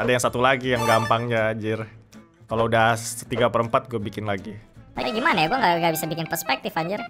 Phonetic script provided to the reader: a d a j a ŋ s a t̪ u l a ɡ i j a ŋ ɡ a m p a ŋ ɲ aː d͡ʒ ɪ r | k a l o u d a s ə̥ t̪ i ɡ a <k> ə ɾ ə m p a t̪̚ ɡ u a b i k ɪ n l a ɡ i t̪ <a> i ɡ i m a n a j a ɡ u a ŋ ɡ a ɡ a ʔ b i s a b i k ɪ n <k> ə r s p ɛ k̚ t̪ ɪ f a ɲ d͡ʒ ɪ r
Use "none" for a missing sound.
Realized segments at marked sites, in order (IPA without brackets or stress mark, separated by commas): p, a, p